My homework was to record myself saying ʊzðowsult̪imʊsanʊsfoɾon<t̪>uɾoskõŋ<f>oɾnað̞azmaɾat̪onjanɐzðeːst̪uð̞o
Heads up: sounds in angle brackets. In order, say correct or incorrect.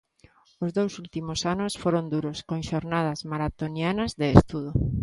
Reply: incorrect: d̪, incorrect: ʃ

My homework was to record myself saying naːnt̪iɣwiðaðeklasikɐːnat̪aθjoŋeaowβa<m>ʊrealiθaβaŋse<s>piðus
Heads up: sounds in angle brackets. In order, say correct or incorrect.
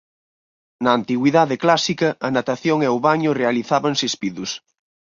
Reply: incorrect: ɲ, correct

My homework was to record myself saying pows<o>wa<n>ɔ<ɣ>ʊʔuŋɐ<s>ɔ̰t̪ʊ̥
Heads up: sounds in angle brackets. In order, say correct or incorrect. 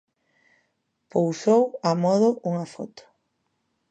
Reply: correct, incorrect: m, incorrect: ð, incorrect: f

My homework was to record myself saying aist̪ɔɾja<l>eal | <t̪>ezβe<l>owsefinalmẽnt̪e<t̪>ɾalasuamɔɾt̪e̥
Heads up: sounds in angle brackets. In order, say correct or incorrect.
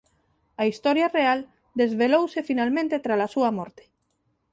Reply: incorrect: r, incorrect: d̪, correct, correct

